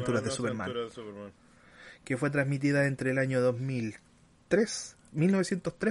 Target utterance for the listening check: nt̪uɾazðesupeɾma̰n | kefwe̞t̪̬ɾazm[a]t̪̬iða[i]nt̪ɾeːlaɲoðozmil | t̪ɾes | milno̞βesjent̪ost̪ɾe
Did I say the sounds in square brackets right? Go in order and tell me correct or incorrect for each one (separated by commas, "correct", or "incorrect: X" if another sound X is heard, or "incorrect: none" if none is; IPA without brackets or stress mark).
incorrect: i, incorrect: e